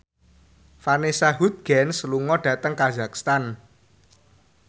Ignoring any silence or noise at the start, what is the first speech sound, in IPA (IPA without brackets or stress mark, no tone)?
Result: f